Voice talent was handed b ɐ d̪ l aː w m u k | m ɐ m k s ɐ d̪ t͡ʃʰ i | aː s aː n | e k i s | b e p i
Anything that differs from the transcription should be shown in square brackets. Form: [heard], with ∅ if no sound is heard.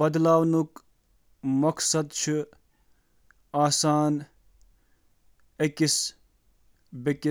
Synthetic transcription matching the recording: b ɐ d̪ l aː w [n] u k | m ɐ [∅] k s ɐ d̪ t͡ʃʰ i | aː s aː n | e k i s | b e [k] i